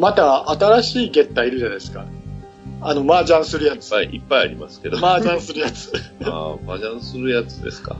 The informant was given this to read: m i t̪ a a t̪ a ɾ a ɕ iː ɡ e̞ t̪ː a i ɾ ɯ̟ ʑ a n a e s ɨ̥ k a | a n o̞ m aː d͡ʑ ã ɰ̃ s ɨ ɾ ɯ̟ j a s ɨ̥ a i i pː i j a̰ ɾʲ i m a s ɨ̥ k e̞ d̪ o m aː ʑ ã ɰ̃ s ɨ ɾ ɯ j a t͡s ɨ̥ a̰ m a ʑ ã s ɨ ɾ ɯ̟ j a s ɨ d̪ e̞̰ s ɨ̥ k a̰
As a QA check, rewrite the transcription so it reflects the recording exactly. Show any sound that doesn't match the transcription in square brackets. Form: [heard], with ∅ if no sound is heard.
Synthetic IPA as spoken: m [a] t̪ a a t̪ a ɾ a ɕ iː ɡ e̞ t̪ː a i ɾ ɯ̟ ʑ a n a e s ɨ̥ k a | a n o̞ m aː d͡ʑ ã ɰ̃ s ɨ ɾ ɯ̟ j a [t͡s] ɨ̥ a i i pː [a] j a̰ ɾʲ i m a s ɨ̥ k e̞ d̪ o m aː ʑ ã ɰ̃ s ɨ ɾ ɯ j a t͡s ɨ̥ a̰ m a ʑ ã s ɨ ɾ ɯ̟ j a [t͡s] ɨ d̪ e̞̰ s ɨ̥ k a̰